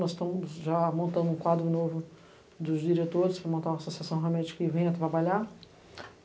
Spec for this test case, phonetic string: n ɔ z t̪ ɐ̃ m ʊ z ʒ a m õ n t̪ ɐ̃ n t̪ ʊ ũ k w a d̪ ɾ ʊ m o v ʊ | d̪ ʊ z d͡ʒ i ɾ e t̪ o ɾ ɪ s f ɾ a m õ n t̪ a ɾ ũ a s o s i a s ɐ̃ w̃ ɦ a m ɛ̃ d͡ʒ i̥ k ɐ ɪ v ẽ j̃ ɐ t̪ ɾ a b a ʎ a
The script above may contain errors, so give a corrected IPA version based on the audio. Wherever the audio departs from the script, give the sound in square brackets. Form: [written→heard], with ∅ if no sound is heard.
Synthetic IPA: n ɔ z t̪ ɐ̃ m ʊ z ʒ a m õ n t̪ ɐ̃ n [t̪→d̪] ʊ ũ k w a d̪ ɾ ʊ [m→n] o v ʊ | d̪ ʊ z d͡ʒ i ɾ e t̪ o ɾ ɪ s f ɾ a m õ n t̪ a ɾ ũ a s o s i a s ɐ̃ w̃ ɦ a m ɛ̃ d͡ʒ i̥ k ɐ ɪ v ẽ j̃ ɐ t̪ ɾ a b a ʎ a